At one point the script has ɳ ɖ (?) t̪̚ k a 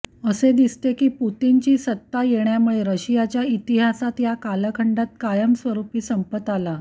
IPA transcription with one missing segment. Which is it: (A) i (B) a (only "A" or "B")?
B